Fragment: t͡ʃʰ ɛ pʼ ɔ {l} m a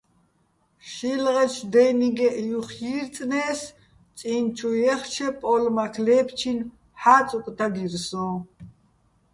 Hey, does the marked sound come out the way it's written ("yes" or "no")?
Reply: yes